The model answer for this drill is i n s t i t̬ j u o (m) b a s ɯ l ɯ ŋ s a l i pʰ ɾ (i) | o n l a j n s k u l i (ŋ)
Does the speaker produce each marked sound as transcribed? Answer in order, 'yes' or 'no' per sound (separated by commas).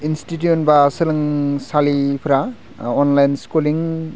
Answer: no, no, yes